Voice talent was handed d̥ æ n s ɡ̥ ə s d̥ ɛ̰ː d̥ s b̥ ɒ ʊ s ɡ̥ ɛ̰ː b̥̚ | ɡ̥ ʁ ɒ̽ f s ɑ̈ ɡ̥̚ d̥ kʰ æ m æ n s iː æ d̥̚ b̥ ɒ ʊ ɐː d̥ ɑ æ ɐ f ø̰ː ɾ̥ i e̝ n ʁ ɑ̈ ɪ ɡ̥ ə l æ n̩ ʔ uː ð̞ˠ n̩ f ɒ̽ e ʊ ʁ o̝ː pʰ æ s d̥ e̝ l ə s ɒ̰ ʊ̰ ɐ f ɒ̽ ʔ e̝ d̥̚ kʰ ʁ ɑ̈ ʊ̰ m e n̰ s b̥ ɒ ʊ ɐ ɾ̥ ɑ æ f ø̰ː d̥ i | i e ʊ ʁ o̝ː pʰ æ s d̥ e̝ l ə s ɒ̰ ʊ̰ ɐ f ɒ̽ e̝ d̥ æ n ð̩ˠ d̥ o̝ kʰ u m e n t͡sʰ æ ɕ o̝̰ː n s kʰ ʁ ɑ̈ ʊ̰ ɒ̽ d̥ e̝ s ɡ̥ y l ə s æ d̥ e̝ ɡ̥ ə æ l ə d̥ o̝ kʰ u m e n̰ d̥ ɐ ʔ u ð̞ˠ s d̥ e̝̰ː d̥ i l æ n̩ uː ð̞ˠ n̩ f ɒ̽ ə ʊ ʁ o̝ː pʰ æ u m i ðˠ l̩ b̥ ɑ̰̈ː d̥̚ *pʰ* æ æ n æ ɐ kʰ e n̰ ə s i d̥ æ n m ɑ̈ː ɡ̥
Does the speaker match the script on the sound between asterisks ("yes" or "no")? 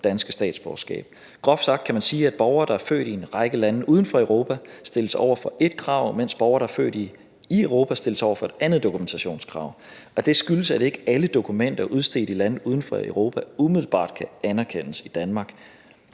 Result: no